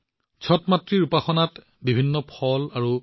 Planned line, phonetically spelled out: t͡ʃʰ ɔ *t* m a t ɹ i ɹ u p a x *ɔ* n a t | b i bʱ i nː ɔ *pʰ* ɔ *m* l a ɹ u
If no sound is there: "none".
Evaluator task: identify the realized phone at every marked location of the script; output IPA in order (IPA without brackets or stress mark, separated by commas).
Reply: t, ɔ, pʰ, none